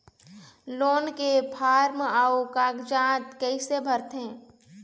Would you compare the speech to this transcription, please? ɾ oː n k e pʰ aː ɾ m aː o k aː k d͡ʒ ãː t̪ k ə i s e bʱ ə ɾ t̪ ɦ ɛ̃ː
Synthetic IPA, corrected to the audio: l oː n k e pʰ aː ɾ m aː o k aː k d͡ʒ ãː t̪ k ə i s e bʱ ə ɾ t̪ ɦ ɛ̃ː